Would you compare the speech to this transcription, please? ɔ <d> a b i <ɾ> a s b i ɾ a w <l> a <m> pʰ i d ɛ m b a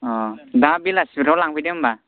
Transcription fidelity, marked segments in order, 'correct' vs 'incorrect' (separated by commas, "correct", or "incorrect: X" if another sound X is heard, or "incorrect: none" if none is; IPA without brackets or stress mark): correct, incorrect: l, correct, incorrect: ŋ